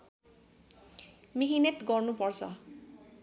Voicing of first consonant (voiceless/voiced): voiced